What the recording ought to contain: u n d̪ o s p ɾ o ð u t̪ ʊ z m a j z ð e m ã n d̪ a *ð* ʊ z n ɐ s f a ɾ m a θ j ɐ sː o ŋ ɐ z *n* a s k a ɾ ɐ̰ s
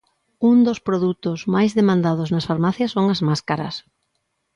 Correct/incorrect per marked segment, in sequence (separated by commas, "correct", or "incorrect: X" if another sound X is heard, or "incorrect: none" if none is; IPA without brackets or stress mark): correct, incorrect: m